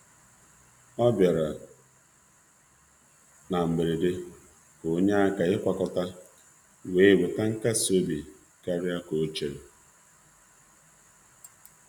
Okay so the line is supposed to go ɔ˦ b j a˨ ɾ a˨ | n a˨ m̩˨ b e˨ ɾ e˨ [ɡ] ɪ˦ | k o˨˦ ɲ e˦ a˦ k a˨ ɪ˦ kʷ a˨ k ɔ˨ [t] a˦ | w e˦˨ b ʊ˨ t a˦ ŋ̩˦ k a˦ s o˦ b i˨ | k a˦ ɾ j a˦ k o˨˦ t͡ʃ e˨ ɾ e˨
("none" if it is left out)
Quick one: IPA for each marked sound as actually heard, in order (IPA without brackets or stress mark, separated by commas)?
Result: d, t